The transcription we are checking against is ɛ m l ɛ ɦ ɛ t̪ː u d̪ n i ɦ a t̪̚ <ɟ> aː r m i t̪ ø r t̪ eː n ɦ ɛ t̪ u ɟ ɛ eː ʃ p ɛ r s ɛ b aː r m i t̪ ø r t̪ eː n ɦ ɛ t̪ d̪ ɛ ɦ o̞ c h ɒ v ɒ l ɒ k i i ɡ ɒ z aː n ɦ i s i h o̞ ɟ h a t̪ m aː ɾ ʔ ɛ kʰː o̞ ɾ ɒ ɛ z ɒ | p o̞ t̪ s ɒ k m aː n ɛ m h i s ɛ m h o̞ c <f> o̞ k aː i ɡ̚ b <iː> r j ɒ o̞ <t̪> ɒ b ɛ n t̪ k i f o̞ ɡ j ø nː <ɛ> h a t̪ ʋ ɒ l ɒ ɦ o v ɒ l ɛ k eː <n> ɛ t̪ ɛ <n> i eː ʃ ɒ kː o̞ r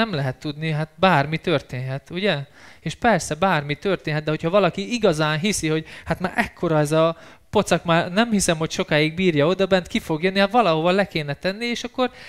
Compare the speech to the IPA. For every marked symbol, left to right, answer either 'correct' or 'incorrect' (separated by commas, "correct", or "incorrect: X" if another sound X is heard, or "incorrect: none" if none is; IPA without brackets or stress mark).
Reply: incorrect: b, incorrect: ʃ, correct, incorrect: d̪, incorrect: i, correct, incorrect: nː